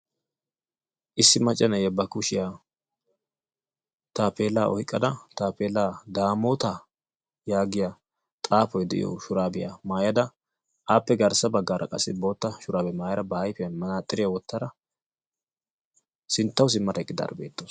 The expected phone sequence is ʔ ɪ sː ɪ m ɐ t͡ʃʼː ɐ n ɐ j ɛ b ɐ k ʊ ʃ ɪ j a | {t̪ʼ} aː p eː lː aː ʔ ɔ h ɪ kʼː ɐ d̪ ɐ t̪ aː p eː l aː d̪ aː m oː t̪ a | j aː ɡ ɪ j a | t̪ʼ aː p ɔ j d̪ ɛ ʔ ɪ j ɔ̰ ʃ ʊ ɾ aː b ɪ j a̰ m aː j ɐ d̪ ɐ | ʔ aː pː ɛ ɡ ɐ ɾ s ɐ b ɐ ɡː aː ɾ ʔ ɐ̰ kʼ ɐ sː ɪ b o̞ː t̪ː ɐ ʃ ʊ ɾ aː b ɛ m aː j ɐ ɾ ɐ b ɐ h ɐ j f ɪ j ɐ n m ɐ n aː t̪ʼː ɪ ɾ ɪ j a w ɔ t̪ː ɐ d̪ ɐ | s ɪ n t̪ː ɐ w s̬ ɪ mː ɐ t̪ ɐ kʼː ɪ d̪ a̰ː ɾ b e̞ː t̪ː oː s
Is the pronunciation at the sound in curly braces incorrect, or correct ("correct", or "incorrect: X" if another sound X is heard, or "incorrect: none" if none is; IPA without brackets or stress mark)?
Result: incorrect: t̪